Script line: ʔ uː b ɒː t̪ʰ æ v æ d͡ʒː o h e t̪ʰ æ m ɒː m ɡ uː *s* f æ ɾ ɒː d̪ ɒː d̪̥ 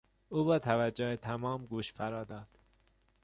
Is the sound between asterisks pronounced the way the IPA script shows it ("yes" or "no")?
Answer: no